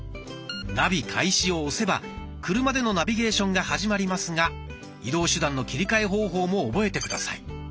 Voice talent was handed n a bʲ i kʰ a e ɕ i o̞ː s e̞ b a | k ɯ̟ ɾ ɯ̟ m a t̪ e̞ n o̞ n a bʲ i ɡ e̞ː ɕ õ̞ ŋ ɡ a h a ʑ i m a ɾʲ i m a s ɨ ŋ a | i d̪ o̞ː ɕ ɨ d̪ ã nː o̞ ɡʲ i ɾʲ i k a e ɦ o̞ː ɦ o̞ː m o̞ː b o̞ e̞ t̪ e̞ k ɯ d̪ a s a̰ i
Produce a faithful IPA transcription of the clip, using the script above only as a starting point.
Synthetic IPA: n a bʲ i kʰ a i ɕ i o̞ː s e̞ b a | k ɯ̟ ɾ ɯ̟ m a d̪ e̞ n o̞ n a bʲ i ɡ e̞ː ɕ õ̞ ŋ ɡ a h a ʑ i m a ɾʲ i m a s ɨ ŋ a | i d̪ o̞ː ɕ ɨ d̪ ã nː o̞ kʲ i ɾʲ i k a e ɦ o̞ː ɦ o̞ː m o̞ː b o̞ e̞ t̪ e̞ k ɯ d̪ a s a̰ i